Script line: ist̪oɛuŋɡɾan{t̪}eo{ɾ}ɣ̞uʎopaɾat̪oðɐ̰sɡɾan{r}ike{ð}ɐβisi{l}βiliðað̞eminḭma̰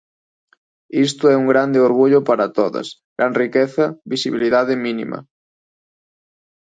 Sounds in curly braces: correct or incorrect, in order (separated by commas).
incorrect, correct, correct, incorrect, incorrect